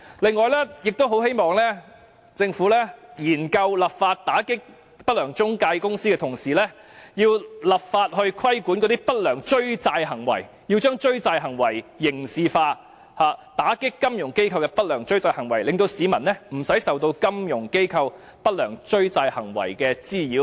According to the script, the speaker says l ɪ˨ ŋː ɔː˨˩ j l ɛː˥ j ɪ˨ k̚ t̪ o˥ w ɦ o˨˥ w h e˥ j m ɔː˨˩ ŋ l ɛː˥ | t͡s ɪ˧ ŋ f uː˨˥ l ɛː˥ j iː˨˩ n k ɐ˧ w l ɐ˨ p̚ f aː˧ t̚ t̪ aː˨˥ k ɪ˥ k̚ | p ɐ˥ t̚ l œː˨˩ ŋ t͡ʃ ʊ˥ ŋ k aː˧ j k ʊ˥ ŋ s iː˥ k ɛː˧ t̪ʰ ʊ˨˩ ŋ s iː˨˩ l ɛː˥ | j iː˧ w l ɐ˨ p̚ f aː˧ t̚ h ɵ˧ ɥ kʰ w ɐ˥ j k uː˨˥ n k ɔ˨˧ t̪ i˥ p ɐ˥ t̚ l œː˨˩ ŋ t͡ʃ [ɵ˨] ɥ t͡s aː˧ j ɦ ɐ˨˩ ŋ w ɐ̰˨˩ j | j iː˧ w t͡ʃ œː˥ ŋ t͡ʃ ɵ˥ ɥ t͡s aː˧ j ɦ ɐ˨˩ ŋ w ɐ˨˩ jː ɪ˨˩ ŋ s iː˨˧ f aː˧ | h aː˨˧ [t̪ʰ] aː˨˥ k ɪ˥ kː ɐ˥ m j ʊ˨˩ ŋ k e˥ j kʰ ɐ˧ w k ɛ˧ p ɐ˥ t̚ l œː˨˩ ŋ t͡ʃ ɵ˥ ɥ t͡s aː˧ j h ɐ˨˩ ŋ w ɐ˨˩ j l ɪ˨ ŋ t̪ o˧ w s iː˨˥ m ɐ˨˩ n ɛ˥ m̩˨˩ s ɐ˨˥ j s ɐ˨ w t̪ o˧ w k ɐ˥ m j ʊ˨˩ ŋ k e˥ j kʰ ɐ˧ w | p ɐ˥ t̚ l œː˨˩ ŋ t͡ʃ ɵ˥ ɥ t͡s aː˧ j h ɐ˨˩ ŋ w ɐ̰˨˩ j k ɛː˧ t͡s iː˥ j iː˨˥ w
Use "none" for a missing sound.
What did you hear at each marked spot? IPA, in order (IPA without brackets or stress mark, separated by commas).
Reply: ɵ˥, t̪